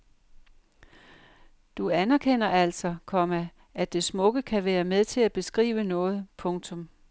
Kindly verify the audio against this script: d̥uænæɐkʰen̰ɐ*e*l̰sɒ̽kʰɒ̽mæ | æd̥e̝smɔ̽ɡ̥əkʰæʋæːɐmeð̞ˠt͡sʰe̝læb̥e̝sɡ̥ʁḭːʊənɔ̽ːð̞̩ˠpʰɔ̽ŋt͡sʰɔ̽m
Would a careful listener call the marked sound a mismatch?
yes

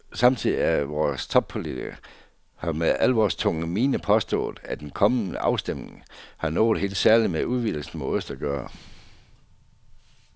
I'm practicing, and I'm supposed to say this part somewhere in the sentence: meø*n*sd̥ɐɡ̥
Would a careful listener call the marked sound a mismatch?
yes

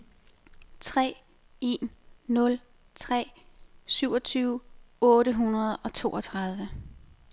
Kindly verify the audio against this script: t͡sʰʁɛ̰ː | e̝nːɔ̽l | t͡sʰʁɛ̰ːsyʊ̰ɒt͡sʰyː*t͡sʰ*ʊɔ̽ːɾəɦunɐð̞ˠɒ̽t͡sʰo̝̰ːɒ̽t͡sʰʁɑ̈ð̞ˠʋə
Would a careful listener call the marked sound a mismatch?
yes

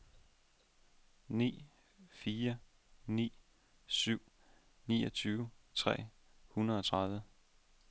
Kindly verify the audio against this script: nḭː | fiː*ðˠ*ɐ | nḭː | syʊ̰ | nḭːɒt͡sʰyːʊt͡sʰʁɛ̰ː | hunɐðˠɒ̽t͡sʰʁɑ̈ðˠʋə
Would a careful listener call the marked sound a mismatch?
yes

